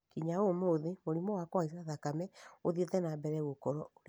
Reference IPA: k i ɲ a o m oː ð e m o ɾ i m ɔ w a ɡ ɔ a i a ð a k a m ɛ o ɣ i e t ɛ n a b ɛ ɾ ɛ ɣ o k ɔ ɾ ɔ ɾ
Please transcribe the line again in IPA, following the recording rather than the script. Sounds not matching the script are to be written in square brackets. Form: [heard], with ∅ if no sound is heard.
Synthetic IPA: k i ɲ a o m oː ð e m o ɾ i m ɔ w a [k] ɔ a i a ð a k a m ɛ o [ð] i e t ɛ n a b ɛ ɾ ɛ ɣ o k ɔ ɾ ɔ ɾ